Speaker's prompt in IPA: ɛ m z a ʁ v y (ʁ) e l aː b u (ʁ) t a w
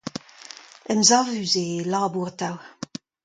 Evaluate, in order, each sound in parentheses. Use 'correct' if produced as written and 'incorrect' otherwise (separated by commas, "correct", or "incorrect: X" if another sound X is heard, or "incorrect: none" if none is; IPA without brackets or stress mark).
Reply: incorrect: z, correct